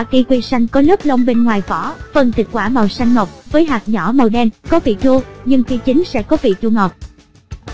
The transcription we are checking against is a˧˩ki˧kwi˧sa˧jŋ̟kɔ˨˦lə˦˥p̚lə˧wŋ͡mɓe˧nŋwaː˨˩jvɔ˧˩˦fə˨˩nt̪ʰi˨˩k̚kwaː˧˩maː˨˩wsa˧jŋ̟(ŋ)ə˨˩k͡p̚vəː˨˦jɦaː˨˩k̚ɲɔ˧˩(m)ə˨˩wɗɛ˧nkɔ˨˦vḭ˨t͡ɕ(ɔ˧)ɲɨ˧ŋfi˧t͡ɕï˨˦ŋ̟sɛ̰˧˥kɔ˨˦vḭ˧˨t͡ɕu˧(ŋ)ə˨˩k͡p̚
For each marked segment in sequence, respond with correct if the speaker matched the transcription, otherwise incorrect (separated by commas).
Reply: correct, correct, incorrect, correct